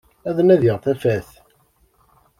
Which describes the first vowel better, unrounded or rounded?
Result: unrounded